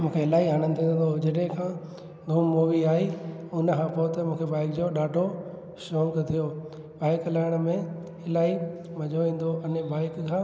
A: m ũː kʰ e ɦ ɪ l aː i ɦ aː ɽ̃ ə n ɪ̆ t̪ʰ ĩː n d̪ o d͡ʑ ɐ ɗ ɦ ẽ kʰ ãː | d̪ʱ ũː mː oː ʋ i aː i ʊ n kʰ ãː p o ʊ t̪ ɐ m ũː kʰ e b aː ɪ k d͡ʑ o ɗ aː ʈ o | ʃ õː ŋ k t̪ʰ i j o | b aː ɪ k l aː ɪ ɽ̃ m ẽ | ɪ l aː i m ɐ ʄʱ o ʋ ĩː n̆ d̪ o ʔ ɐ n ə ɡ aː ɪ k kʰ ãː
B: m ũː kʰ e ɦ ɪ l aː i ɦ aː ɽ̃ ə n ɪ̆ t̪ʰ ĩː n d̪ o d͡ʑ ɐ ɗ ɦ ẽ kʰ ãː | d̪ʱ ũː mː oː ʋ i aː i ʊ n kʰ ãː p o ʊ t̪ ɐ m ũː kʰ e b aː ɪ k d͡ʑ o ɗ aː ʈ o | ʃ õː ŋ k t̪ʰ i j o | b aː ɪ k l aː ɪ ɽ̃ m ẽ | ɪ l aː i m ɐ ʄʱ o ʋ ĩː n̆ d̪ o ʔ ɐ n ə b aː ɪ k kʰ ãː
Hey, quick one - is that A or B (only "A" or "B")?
B